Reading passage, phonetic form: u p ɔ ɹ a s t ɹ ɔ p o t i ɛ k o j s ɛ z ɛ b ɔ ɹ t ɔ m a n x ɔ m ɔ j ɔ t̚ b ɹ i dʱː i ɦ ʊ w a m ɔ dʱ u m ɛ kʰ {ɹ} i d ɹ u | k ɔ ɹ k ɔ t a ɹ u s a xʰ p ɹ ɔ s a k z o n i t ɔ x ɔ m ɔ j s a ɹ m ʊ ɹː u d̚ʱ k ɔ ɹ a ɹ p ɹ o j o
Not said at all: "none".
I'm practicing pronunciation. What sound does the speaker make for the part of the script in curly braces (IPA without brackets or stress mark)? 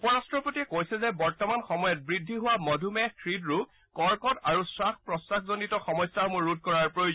ɹ